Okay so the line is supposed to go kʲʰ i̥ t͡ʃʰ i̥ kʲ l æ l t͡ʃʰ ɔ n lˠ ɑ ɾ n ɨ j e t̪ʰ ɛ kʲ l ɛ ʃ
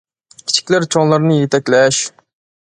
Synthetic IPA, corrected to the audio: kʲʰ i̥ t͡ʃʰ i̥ kʲ l æ ɾ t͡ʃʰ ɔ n lˠ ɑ ɾ n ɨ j e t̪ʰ ɛ kʲ l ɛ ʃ